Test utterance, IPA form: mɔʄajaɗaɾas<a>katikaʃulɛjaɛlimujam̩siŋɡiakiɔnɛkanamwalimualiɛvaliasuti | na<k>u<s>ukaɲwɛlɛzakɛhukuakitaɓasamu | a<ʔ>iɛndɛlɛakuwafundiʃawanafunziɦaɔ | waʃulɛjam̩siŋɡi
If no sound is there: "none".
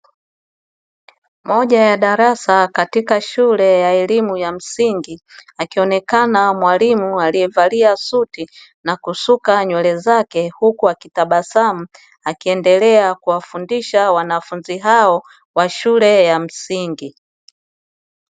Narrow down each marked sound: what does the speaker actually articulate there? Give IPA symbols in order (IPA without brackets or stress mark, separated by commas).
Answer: a, k, s, k